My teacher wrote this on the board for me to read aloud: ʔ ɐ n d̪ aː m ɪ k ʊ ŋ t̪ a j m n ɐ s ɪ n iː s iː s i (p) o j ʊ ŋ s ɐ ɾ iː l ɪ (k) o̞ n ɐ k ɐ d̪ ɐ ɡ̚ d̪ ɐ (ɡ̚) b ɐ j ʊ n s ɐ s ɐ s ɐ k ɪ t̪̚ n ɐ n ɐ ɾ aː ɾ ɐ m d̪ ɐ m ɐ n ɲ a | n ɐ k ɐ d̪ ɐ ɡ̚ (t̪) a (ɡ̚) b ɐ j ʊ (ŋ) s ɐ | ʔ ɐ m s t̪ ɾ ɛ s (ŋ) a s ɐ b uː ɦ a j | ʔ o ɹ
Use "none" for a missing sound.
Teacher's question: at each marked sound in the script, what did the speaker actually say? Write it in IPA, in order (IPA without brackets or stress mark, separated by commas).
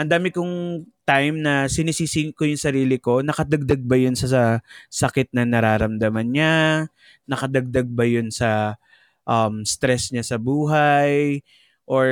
k, k, ɡ̚, d̪, ɡ̚, n, ɲ